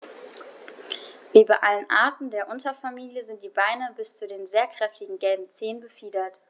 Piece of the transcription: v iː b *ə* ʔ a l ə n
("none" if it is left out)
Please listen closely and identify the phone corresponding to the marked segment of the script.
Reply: a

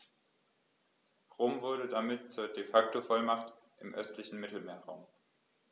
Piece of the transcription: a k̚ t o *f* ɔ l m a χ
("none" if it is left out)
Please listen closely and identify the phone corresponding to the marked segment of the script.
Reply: f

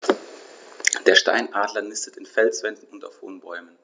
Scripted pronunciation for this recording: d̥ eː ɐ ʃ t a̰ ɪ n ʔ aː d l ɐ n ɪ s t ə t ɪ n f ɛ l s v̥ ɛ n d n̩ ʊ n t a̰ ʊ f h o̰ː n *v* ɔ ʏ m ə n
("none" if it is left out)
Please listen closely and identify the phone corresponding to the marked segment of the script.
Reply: b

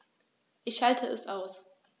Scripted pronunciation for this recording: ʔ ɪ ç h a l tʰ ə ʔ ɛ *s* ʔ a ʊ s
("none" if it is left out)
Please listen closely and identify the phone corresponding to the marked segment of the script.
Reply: s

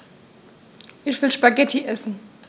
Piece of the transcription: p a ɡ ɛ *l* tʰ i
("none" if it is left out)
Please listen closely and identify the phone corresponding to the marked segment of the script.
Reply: none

